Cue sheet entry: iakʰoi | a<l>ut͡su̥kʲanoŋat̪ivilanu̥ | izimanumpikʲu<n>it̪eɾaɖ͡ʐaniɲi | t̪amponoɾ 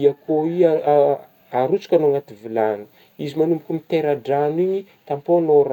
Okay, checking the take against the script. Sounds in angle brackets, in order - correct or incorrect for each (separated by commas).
incorrect, incorrect